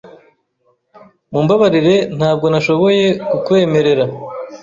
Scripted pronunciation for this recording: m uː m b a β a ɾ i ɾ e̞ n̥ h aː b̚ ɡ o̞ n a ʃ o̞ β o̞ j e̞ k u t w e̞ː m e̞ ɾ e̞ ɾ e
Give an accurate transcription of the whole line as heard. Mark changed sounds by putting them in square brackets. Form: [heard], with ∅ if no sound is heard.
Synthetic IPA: m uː m b a β a ɾ i ɾ e̞ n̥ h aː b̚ ɡ o̞ n a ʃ o̞ β o̞ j e̞ k u [k] w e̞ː m e̞ ɾ e̞ ɾ [a]